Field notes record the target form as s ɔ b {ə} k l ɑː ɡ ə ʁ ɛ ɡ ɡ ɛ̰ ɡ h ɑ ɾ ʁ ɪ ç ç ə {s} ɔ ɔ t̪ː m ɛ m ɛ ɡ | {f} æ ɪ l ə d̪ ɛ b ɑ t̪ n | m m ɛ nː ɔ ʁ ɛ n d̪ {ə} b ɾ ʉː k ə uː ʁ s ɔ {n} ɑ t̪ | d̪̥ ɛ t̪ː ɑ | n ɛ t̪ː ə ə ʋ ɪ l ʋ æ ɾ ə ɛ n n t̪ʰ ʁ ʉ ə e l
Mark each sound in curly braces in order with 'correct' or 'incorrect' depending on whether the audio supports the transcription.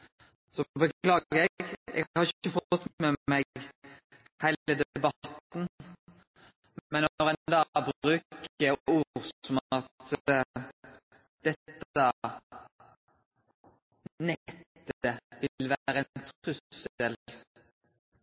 correct, incorrect, incorrect, incorrect, incorrect

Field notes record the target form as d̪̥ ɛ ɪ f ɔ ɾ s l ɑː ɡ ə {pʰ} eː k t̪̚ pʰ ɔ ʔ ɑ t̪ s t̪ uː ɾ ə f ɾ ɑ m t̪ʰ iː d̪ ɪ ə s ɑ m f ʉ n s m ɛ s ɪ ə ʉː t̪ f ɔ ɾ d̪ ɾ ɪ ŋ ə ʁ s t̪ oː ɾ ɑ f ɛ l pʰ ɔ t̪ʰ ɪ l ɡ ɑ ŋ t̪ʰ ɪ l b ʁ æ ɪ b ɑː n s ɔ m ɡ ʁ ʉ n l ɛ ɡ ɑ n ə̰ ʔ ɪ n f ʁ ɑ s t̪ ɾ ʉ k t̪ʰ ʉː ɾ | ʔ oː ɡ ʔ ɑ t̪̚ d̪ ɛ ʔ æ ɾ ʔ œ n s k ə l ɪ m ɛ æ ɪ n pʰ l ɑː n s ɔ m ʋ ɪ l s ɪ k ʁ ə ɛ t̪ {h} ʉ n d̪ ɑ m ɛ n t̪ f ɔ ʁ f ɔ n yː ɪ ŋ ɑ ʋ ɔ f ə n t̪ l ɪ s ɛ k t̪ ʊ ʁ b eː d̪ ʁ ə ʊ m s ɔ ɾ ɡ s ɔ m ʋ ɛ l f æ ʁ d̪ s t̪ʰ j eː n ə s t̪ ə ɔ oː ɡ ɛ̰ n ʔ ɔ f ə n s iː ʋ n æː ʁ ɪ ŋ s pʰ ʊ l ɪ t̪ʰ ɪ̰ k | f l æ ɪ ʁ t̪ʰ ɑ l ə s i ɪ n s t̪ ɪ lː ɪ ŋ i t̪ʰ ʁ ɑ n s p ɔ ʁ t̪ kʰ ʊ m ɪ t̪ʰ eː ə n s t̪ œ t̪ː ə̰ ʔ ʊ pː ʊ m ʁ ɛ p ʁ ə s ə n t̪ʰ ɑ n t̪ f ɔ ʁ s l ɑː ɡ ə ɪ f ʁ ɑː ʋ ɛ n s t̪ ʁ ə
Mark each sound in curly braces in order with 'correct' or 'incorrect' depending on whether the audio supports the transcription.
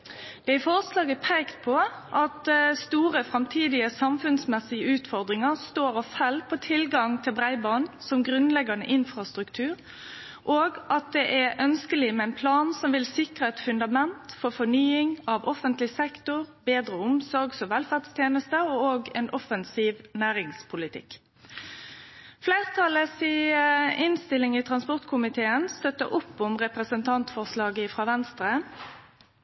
correct, incorrect

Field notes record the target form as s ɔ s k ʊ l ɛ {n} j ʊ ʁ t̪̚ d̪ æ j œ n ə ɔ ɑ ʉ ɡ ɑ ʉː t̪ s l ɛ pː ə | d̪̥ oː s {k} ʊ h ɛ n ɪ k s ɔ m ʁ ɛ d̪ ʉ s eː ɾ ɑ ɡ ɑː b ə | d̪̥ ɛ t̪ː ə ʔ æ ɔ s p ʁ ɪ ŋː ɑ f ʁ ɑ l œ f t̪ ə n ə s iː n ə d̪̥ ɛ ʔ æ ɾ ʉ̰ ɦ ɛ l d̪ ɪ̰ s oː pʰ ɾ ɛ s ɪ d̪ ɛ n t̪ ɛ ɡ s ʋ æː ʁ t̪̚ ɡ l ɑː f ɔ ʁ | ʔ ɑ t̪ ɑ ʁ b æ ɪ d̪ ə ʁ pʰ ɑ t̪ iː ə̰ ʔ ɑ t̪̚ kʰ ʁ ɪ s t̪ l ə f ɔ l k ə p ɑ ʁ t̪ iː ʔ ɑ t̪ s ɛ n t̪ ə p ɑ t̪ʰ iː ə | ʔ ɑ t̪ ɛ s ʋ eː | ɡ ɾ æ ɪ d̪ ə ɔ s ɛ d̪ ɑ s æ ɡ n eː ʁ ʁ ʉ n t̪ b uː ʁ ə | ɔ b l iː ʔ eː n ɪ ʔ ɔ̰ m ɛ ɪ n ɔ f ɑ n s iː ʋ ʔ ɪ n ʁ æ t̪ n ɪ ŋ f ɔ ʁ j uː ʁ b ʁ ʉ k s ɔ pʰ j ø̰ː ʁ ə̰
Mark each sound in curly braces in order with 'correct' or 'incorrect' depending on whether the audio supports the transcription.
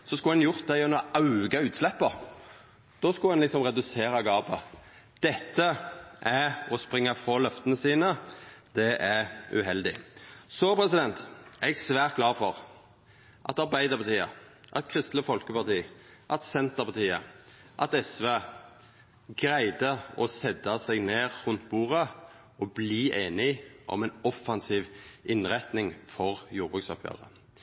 correct, correct

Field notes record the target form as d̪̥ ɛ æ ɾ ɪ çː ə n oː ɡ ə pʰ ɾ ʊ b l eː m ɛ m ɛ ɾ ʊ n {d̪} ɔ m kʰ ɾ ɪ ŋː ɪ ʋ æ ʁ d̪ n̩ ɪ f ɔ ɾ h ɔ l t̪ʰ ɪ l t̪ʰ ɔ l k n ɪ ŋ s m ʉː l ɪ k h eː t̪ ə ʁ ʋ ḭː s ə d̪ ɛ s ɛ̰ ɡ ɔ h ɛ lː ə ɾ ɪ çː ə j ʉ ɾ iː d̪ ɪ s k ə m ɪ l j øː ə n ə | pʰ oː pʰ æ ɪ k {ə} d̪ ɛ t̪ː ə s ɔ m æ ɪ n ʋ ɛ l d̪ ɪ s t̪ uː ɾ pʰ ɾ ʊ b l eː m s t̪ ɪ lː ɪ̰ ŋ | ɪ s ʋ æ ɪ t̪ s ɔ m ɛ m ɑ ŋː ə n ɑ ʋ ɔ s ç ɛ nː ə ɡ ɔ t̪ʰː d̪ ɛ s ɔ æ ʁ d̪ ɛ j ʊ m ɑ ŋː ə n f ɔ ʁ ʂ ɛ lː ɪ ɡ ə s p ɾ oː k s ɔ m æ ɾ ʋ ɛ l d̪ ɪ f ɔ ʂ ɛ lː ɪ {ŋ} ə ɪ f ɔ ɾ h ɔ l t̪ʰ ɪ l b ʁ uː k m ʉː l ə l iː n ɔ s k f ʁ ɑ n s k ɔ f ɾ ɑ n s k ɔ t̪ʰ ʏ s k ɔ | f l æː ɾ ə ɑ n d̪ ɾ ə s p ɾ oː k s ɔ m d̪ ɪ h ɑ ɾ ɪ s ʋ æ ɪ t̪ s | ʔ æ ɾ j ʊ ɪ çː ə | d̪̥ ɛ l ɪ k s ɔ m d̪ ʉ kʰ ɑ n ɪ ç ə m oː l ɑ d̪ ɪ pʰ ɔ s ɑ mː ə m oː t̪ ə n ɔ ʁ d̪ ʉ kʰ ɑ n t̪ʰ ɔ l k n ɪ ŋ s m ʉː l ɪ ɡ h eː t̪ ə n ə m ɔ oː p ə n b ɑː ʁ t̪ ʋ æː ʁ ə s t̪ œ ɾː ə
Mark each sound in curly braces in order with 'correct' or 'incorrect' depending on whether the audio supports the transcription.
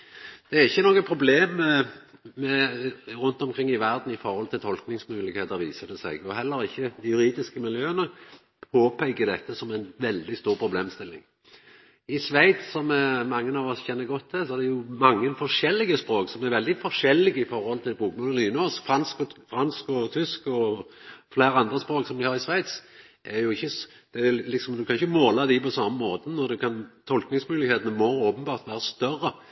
incorrect, correct, incorrect

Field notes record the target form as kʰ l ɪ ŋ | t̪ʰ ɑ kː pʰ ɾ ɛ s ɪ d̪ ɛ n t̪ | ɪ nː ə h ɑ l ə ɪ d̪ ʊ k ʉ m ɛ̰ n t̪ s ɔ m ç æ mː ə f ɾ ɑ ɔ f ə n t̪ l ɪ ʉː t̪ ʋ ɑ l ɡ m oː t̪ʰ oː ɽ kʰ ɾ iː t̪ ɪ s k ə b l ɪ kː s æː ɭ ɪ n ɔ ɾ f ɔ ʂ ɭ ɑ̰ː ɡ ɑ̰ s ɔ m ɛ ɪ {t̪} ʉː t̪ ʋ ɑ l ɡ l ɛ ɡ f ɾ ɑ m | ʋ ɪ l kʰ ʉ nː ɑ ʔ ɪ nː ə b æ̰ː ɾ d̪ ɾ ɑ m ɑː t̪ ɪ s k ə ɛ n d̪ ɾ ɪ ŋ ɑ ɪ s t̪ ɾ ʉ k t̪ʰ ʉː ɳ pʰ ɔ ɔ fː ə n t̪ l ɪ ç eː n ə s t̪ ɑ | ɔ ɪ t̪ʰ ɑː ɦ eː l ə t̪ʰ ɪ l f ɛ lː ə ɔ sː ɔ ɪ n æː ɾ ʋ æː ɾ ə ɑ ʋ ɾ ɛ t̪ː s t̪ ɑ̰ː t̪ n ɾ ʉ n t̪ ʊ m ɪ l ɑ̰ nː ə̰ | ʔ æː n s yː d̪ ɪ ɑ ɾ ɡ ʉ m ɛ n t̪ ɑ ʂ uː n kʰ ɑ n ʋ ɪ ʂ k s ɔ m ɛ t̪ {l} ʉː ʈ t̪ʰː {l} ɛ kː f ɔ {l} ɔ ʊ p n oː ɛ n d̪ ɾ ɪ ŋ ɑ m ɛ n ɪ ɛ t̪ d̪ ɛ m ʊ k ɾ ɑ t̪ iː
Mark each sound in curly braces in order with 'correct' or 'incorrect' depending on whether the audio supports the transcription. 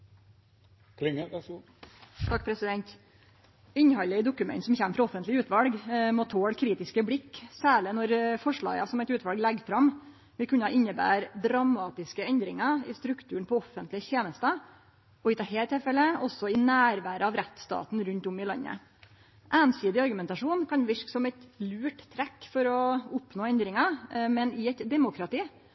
correct, correct, incorrect, incorrect

